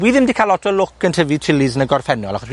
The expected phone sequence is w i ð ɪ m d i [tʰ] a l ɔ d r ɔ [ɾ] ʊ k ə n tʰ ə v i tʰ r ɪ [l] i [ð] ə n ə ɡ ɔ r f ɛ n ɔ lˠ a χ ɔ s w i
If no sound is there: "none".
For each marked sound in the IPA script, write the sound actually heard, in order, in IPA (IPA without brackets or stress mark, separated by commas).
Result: kʰ, l, l, z